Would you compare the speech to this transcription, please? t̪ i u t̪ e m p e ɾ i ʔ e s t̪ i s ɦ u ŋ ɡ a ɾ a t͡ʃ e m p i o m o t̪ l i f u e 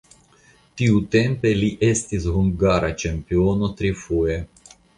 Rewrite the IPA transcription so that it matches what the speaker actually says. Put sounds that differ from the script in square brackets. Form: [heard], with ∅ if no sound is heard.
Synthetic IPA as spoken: t̪ i u t̪ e m p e [l] i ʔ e s t̪ i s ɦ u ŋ ɡ a ɾ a t͡ʃ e m p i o [n] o t̪ [ɾ] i f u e